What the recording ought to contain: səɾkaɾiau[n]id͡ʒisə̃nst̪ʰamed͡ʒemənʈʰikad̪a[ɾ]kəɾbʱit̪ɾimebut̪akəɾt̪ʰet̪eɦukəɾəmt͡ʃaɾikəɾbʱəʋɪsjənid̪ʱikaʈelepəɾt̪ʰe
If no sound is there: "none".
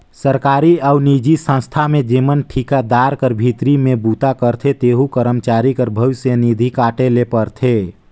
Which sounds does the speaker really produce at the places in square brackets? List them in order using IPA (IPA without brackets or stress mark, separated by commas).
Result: n, ɾ